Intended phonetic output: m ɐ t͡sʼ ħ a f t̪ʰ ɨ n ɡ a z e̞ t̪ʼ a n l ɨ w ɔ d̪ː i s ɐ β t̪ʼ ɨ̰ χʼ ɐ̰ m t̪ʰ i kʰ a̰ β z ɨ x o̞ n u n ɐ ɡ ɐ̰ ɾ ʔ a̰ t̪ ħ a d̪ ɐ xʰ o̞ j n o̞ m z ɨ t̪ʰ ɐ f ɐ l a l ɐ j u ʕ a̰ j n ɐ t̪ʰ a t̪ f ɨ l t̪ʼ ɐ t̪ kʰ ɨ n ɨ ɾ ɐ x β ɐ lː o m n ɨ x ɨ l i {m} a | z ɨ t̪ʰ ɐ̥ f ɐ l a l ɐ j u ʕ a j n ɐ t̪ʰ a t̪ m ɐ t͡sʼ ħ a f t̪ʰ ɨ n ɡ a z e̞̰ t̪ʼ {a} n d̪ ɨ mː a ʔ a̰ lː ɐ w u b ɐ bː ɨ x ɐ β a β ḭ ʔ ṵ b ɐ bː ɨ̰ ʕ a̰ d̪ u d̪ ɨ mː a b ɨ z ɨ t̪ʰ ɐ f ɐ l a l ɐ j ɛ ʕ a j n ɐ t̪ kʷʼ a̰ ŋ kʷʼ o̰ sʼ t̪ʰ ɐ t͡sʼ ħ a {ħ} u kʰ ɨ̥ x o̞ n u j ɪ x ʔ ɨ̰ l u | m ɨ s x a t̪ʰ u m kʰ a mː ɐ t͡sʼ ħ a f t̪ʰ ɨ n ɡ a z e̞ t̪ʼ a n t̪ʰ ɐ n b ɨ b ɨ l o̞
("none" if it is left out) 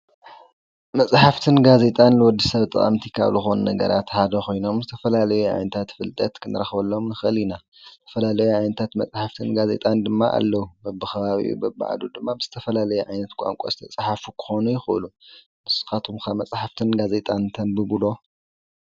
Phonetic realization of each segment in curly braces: n, a, f

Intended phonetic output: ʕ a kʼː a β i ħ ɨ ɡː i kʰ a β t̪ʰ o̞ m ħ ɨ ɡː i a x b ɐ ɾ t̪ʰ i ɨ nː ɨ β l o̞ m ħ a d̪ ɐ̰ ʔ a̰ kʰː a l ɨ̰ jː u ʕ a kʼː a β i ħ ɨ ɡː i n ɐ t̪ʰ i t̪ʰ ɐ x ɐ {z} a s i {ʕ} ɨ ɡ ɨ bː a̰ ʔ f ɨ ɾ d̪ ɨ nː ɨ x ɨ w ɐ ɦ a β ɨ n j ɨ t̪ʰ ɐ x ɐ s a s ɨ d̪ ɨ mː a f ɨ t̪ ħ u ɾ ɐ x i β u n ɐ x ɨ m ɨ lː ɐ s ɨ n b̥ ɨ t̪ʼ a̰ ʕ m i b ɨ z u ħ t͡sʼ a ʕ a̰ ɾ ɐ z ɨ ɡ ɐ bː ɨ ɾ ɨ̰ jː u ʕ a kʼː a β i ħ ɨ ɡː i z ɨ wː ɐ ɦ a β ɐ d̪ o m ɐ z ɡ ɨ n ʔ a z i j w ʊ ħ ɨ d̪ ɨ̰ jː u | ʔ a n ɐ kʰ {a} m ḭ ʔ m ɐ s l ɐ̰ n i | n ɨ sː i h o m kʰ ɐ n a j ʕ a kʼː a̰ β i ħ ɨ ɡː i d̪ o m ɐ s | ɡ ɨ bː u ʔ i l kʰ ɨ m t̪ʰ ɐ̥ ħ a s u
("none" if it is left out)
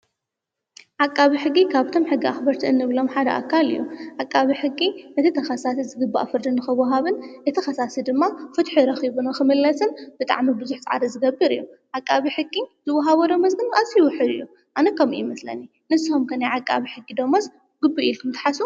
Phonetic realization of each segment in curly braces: s, z, ɐ

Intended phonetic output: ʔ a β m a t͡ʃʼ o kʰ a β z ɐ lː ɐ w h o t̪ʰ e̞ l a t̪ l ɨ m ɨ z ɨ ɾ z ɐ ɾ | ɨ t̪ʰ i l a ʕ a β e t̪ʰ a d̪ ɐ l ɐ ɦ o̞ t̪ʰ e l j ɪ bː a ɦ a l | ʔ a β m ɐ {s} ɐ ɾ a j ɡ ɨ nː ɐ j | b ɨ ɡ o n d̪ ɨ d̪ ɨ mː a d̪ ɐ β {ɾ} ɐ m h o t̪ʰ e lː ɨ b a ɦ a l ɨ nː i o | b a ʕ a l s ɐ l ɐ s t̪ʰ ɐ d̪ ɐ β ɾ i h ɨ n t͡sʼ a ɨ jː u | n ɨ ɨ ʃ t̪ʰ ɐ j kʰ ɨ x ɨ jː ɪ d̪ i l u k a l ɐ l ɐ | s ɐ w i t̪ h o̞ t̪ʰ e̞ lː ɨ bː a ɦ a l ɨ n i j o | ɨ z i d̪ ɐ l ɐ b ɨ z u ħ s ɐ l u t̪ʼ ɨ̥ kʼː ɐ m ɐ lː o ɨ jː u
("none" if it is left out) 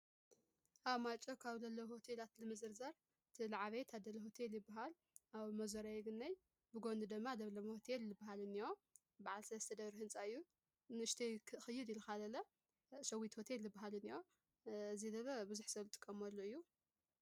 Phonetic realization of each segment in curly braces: z, l

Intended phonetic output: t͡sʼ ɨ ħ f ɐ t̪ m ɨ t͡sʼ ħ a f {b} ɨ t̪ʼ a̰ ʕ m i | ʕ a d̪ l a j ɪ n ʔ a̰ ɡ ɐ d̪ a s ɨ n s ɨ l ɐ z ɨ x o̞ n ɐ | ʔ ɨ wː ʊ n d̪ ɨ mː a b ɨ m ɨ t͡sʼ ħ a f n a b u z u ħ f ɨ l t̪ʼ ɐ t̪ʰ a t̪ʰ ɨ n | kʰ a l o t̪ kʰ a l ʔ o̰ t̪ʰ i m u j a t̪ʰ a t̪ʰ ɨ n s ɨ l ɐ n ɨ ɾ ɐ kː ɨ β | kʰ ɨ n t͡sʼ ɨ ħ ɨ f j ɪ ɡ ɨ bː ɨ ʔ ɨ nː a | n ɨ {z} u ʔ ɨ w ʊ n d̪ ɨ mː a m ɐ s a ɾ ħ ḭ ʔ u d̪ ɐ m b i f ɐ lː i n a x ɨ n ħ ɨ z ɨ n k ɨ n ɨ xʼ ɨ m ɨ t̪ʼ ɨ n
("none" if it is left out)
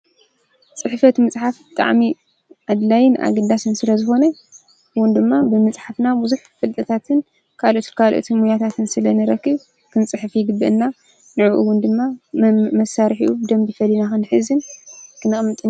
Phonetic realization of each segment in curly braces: b, ʕ

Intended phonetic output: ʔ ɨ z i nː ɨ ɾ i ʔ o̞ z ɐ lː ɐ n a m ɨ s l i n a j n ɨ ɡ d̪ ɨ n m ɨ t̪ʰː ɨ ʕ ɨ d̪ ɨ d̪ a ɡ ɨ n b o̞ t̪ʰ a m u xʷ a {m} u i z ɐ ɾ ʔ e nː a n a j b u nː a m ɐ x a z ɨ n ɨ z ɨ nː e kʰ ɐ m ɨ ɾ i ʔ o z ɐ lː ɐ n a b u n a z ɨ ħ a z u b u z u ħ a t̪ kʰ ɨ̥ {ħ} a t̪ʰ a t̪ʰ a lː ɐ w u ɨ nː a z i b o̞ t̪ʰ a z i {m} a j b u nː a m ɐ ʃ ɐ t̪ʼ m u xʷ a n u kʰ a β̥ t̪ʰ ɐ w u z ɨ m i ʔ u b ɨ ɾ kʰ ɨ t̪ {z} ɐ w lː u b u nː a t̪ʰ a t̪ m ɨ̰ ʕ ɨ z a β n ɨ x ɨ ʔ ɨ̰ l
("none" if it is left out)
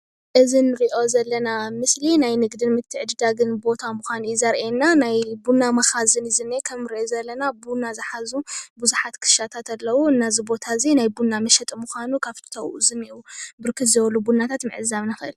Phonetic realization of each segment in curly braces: n, ʃ, n, z

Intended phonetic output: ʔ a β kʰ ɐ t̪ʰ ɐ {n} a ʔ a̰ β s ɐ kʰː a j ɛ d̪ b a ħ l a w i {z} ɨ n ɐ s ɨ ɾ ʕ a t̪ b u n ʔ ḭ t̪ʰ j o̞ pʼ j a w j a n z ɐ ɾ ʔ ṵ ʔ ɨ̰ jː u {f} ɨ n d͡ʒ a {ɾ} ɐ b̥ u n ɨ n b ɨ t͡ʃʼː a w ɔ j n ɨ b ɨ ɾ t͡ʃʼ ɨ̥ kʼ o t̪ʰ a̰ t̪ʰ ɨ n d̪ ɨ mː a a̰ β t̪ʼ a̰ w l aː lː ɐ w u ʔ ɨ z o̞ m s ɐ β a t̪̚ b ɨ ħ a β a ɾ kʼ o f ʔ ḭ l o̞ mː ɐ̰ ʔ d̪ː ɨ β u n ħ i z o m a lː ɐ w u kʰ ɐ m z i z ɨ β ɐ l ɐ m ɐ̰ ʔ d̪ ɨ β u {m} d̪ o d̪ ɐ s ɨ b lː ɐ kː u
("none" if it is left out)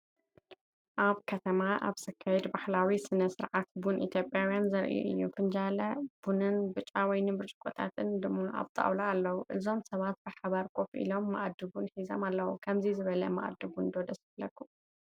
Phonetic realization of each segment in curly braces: m, s, f, l, n

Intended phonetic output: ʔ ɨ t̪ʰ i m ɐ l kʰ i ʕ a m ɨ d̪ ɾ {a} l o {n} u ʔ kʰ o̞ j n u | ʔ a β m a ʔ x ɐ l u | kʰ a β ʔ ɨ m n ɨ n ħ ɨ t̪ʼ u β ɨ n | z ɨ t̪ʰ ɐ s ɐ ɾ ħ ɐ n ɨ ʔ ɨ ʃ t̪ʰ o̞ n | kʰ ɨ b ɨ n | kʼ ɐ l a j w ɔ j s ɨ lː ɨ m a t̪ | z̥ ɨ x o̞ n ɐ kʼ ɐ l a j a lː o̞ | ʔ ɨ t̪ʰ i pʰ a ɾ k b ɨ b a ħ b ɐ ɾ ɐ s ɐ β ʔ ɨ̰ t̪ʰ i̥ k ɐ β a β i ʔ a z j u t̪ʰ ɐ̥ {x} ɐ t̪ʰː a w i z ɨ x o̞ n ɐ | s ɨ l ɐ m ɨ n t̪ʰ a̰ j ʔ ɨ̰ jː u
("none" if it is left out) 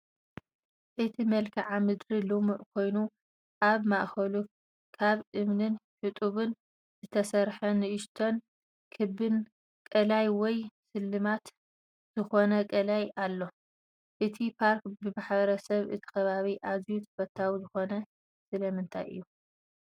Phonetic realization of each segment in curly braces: i, m, f

